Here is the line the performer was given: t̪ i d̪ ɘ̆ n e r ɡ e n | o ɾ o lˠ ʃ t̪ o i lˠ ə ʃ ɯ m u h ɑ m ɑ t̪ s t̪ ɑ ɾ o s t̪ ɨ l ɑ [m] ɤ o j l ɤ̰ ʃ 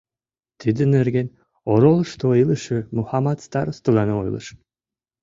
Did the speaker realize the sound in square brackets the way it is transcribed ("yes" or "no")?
no